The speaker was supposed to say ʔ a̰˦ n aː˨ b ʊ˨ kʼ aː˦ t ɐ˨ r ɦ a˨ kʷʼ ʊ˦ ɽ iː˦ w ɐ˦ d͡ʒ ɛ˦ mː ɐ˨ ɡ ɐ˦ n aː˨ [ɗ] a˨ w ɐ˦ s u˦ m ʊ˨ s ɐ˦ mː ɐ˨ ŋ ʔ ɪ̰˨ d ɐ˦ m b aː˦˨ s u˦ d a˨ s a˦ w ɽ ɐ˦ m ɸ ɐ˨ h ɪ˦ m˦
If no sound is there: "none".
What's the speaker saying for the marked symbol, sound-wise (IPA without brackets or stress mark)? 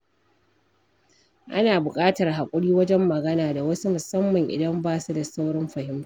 d